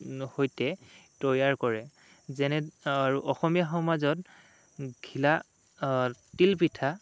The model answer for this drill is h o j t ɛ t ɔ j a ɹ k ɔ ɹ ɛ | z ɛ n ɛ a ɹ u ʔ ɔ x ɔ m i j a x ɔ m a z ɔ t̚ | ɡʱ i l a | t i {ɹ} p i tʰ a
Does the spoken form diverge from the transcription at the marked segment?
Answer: yes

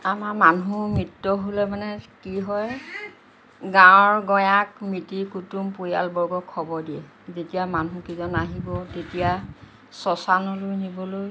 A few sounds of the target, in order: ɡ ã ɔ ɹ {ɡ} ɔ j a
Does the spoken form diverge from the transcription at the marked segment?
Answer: no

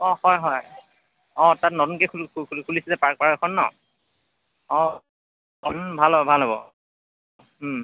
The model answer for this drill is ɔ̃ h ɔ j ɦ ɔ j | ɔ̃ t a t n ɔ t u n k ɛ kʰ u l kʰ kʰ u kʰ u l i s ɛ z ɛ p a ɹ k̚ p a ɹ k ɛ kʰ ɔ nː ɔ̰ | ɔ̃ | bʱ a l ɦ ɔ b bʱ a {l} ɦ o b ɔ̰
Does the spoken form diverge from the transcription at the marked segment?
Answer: no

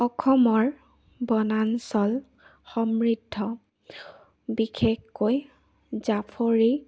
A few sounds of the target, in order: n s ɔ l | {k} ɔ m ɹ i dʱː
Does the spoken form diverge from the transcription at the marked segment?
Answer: yes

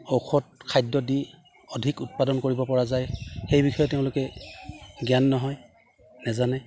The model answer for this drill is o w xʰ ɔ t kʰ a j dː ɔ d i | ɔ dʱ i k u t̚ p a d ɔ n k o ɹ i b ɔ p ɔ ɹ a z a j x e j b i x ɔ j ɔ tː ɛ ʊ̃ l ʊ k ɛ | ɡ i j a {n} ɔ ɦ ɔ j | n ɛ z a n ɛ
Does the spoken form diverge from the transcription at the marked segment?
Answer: yes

